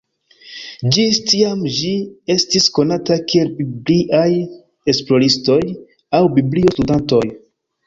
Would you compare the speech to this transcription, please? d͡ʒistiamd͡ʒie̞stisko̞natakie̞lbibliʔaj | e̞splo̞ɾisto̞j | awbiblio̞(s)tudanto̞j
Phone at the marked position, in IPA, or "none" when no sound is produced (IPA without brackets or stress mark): s